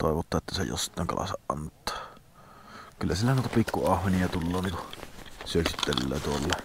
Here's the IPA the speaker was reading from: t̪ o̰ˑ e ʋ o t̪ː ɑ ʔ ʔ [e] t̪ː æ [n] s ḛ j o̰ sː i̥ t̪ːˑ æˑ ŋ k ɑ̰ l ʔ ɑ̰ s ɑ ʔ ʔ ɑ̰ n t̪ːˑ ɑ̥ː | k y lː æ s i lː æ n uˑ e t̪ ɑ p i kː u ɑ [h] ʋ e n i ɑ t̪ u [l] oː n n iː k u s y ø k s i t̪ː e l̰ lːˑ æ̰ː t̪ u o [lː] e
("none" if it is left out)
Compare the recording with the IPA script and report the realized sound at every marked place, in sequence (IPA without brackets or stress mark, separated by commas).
e, none, h, lː, lː